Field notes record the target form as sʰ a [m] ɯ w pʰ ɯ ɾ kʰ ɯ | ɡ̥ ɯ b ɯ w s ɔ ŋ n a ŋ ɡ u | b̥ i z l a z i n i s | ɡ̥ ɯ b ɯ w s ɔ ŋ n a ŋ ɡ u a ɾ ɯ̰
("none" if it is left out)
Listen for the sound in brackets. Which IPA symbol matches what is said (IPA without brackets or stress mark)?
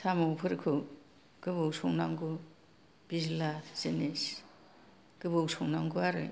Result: m